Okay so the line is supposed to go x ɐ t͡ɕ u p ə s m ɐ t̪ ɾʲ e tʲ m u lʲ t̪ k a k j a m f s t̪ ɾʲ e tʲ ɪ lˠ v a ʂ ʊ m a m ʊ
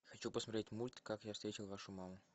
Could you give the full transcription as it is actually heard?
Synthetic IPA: x ɐ t͡ɕ u p ə s m ɐ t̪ ɾʲ e tʲ m u lʲ t̪ k a k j a f s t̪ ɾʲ e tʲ ɪ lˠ v a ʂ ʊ m a m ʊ